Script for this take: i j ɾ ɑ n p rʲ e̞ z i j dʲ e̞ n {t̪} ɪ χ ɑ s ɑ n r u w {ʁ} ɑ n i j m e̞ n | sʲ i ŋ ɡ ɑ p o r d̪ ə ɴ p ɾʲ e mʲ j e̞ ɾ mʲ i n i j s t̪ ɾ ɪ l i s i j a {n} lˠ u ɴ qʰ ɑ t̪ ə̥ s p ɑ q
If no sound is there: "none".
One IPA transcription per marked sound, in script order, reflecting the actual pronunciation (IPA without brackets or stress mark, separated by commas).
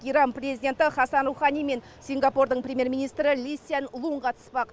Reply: t̪, χ, n